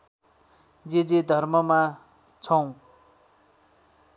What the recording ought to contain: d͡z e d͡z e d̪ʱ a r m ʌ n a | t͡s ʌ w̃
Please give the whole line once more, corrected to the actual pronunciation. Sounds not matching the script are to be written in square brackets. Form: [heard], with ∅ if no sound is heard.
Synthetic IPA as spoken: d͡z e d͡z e d̪ʱ [ʌ] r m ʌ [m] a | [t͡sʰ] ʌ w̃